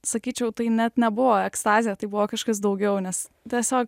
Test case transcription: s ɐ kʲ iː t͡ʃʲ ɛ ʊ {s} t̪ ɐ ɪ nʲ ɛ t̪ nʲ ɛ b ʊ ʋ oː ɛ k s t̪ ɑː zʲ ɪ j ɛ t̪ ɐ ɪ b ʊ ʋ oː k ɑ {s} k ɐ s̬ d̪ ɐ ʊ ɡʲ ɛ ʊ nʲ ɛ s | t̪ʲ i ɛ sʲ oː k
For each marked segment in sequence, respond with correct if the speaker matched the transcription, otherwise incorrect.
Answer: incorrect, incorrect

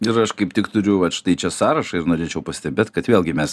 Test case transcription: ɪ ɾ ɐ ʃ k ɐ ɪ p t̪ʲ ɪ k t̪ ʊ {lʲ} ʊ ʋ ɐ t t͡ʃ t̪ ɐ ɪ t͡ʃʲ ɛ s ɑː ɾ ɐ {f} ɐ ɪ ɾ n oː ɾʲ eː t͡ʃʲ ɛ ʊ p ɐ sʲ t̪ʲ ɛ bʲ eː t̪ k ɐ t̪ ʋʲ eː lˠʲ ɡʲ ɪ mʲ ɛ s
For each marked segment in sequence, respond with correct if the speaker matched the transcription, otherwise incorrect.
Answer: incorrect, incorrect

